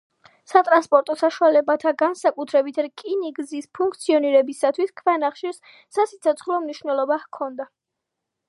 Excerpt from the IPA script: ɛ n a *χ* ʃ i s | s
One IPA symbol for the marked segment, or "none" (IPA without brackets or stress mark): χ